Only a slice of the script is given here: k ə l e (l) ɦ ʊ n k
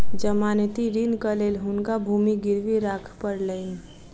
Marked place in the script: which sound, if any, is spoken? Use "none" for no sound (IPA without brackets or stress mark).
l